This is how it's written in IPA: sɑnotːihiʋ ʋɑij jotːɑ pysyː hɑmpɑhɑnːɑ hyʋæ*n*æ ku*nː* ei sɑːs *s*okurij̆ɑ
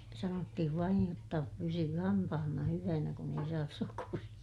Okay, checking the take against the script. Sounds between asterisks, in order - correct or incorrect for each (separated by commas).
correct, incorrect, correct